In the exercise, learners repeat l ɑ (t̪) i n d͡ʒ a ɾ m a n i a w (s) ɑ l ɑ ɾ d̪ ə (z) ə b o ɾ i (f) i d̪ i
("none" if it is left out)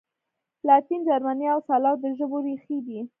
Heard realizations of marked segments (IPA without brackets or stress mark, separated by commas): t̪, s, ʒ, x